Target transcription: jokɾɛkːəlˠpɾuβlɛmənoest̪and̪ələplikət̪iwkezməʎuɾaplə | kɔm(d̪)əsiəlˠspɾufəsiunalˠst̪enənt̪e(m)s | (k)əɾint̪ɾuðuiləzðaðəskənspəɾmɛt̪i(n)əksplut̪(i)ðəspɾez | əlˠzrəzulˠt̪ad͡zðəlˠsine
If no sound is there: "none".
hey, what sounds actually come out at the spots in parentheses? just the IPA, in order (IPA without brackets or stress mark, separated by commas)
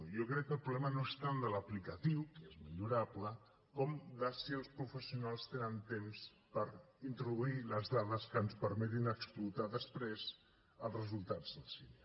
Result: d̪, m, p, n, a